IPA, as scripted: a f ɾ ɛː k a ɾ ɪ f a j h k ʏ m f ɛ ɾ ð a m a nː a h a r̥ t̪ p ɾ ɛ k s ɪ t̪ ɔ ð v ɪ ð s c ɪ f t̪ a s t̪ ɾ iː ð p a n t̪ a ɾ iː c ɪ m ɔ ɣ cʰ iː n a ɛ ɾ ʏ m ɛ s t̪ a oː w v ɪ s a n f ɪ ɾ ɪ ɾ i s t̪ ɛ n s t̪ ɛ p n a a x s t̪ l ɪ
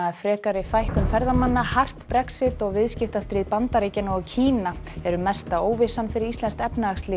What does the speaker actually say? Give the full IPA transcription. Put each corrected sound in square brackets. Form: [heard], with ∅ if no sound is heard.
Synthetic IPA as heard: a f ɾ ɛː k a ɾ ɪ f a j h k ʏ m f ɛ ɾ ð a m a nː a h a r̥ t̪ p ɾ ɛ k s ɪ t̪ ɔ [ɣ] v ɪ ð s c ɪ f t̪ a s t̪ ɾ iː ð p a n t̪ a ɾ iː c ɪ [n] ɔ ɣ cʰ iː n a ɛ ɾ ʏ m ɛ s t̪ a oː w v ɪ s a n f ɪ ɾ ɪ ɾ i s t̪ ɛ n s t̪ ɛ p n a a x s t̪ l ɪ